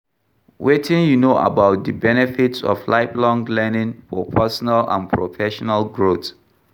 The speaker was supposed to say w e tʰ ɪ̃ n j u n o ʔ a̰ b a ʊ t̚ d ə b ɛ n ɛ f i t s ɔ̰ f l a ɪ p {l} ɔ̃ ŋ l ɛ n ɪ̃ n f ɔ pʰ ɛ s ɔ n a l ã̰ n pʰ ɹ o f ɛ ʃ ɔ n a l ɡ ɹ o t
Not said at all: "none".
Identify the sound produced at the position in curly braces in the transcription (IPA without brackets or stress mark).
l